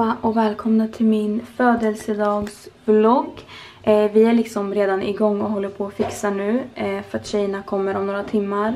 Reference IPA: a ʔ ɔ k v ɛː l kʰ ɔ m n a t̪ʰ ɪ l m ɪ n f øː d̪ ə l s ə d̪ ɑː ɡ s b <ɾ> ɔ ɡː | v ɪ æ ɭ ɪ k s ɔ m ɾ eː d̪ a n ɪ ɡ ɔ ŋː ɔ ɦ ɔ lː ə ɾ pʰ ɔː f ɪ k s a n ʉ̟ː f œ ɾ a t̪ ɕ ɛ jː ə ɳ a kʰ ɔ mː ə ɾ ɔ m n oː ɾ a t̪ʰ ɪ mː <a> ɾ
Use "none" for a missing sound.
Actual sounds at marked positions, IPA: l, a

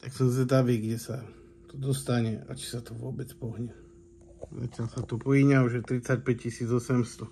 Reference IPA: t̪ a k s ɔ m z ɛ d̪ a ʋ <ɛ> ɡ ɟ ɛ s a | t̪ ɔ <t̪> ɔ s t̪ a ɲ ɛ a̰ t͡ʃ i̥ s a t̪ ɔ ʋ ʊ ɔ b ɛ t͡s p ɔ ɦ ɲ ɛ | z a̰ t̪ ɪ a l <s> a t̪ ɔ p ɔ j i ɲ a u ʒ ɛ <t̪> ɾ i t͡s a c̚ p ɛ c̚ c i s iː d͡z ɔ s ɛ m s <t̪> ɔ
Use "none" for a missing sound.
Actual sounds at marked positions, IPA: i, d̪, s, t̪, t̪

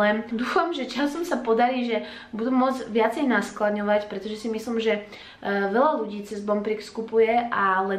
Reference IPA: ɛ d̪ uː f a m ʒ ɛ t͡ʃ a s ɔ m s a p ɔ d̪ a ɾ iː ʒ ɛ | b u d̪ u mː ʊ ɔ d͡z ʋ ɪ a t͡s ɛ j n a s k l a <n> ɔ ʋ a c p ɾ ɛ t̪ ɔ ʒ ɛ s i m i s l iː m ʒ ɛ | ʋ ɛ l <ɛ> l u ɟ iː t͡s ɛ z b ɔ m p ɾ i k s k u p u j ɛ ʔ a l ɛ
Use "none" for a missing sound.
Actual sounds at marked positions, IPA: ɲ, a

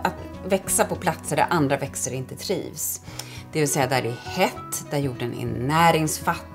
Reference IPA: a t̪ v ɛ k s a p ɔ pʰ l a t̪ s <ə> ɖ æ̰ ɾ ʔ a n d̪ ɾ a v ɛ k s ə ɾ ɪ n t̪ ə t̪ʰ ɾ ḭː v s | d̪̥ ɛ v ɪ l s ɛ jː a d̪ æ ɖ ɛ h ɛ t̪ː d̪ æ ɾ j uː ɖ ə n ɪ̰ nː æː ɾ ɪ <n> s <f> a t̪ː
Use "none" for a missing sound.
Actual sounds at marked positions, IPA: ə, ŋ, f

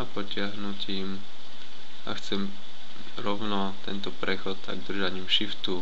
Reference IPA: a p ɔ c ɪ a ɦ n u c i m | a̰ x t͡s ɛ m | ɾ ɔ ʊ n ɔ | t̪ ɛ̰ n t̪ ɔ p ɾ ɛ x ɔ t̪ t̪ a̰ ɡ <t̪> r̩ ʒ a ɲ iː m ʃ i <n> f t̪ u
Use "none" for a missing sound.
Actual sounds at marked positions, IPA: d̪, none

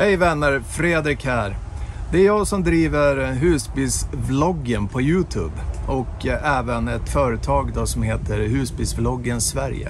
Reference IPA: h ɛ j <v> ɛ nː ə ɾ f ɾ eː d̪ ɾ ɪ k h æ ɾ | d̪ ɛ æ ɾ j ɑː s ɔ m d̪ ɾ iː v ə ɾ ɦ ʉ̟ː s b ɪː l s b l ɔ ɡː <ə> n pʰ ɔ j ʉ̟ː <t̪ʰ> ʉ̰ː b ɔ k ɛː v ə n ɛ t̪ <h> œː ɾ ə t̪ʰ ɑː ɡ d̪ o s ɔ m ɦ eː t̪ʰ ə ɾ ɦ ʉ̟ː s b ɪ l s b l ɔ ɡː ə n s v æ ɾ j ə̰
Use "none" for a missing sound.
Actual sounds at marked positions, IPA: v, ə, t̪ʰ, f

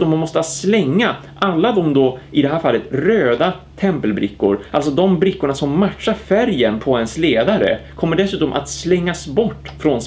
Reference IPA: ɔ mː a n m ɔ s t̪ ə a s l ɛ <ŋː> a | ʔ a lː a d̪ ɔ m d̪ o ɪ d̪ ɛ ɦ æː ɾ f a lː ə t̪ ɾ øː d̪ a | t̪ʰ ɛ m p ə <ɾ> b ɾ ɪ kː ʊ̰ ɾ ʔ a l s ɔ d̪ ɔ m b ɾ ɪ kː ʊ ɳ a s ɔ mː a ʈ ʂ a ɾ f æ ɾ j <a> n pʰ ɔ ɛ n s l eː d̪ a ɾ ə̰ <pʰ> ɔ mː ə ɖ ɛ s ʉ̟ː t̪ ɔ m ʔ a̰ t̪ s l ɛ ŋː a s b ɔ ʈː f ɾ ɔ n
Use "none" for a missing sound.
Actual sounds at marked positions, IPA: ŋː, l, ə, kʰ

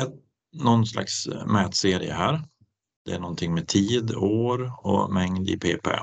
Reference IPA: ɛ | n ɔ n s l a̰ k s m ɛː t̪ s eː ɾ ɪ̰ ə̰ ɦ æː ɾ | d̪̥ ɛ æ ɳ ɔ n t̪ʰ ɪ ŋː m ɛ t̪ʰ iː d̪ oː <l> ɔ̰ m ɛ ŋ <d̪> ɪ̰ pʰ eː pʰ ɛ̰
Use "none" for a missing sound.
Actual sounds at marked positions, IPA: ɾ, d̪

